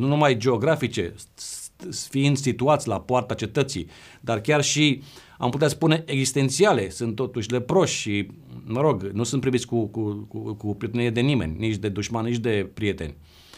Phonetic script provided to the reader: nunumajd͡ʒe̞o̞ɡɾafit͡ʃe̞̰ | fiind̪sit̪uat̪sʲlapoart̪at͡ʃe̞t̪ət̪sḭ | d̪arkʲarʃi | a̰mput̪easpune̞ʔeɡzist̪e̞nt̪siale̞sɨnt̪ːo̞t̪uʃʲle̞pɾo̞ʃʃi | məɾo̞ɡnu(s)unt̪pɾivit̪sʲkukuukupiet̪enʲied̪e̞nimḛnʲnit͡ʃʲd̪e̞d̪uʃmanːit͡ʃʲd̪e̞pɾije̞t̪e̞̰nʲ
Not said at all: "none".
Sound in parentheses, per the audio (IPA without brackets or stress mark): s